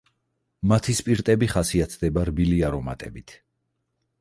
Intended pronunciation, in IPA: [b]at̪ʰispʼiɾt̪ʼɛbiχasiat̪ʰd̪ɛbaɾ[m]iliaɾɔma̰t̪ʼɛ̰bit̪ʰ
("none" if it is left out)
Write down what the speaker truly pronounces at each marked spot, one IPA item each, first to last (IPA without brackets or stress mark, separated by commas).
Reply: m, b